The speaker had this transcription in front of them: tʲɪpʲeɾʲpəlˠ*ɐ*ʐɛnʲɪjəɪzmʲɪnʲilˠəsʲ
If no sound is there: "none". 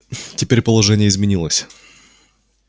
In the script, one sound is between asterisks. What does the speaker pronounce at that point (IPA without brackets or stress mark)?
ɐ